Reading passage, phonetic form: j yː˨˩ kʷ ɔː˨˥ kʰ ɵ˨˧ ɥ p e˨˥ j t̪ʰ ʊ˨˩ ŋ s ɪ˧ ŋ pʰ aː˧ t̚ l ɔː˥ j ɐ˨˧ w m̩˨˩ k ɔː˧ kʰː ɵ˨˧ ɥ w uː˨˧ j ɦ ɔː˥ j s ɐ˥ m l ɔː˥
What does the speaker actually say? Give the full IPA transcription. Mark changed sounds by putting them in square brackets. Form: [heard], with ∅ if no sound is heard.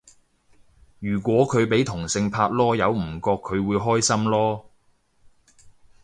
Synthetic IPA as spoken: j yː˨˩ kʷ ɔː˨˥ kʰ ɵ˨˧ ɥ p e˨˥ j t̪ʰ ʊ˨˩ ŋ s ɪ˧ ŋ pʰ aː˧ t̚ l ɔː˥ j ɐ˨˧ w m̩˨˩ k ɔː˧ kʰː ɵ˨˧ ɥ w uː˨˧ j ɦ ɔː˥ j s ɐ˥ m l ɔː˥